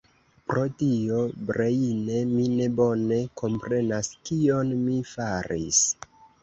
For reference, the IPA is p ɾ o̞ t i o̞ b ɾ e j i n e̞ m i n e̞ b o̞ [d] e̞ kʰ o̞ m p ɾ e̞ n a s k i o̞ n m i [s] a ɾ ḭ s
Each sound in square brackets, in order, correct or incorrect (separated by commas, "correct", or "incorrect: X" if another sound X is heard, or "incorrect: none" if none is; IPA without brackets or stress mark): incorrect: n, incorrect: f